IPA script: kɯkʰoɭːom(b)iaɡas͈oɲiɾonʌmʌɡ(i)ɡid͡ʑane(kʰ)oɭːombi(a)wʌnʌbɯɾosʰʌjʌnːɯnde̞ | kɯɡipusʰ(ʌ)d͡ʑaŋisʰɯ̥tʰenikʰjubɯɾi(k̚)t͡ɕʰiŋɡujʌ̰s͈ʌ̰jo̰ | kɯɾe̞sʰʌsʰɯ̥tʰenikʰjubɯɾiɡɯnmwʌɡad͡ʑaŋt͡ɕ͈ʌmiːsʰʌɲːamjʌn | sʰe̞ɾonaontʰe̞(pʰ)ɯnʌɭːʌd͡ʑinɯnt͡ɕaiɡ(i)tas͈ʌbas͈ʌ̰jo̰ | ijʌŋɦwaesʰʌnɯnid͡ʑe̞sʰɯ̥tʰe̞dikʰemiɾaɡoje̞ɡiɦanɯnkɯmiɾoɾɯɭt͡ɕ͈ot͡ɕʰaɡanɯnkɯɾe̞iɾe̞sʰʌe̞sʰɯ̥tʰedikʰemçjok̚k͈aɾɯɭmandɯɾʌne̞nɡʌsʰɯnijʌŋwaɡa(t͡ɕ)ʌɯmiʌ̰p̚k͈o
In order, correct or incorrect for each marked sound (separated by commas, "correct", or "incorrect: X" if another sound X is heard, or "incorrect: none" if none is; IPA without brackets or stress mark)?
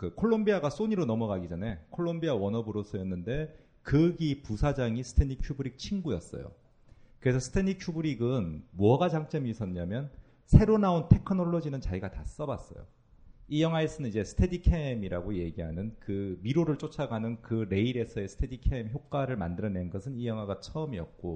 correct, incorrect: a, correct, correct, incorrect: a, correct, incorrect: kʰ, incorrect: a, incorrect: t͡ɕʰ